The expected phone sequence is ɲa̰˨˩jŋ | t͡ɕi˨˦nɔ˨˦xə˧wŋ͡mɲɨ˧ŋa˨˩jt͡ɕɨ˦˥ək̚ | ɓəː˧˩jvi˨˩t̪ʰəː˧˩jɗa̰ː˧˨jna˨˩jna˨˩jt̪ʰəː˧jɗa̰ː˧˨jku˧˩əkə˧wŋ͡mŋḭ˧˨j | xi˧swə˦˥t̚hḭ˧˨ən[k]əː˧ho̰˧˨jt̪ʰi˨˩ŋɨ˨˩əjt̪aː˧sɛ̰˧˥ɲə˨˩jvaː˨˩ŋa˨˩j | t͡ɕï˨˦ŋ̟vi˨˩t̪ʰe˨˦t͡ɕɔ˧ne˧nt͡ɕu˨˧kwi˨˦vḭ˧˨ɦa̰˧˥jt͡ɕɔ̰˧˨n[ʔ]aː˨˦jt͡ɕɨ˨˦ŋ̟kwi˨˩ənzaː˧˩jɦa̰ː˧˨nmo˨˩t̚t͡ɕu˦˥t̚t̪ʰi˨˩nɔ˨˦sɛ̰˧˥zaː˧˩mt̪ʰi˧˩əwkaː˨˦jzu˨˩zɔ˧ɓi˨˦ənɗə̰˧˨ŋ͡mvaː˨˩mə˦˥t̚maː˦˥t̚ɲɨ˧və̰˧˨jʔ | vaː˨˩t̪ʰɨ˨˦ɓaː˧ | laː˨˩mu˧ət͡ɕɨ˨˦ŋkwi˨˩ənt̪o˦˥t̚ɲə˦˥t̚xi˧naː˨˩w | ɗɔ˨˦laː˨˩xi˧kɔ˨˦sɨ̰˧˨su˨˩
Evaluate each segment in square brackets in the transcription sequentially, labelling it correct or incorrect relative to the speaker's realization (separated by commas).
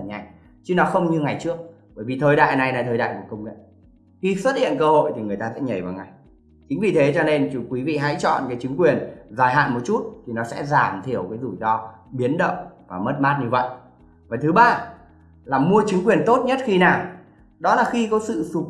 correct, incorrect